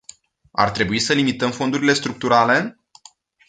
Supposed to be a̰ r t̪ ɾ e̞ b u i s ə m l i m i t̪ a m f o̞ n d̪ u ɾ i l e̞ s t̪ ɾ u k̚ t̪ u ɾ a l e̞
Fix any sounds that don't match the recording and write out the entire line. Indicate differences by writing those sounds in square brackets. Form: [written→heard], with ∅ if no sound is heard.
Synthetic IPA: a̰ r t̪ ɾ e̞ b u i s ə [m→∅] l i m i t̪ [a→ə] m f o̞ n d̪ u ɾ i l e̞ s t̪ ɾ u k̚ t̪ u ɾ a l e̞